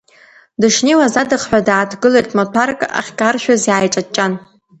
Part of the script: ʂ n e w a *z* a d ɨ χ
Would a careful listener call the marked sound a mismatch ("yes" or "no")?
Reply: no